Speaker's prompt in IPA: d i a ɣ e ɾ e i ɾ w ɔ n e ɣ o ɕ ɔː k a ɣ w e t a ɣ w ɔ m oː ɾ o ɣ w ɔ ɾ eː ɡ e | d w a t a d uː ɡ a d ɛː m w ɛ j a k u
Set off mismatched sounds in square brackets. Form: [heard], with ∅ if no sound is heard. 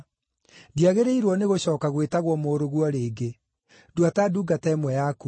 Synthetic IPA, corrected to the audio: d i a ɣ e ɾ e i ɾ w ɔ n e ɣ o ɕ ɔː k a ɣ w e t a ɣ w ɔ m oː ɾ o ɣ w ɔ ɾ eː ɡ e | d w a t a d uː ɡ a [t] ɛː m w ɛ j a k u